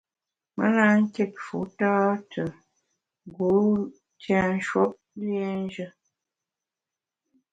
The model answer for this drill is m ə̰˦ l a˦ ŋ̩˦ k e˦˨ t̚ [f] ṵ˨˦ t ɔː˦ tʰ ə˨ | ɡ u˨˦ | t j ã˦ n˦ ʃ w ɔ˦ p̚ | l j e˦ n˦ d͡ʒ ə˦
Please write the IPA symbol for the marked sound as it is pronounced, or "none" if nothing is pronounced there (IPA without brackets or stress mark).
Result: f